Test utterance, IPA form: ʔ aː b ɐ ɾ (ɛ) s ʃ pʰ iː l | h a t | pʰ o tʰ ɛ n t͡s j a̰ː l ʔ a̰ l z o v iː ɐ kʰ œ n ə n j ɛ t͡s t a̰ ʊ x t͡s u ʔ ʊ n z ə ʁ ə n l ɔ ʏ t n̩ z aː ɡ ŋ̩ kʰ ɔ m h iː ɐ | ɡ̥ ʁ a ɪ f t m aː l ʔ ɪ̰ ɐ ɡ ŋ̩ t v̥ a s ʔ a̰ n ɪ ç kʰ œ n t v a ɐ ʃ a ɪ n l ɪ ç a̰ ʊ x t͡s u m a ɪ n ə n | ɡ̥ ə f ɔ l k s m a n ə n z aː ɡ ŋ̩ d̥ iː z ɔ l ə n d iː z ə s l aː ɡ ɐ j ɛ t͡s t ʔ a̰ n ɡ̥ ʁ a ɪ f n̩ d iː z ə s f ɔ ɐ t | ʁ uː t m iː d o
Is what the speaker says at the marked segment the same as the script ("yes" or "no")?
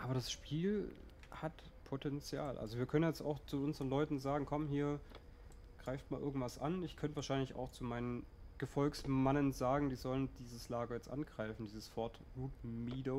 no